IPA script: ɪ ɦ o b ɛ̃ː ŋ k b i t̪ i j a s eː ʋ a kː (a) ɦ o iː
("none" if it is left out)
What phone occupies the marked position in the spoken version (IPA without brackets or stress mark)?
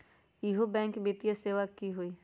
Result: i